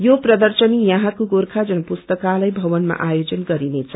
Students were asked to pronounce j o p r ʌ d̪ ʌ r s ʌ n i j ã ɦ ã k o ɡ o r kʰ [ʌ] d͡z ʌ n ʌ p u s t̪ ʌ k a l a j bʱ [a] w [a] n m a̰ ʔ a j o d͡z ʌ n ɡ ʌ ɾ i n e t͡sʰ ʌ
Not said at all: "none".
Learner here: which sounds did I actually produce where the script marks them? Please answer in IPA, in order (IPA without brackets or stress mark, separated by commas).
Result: a, ʌ, ʌ